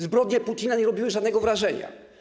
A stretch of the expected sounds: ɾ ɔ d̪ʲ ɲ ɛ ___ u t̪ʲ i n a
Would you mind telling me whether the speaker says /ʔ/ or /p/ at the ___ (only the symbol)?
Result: p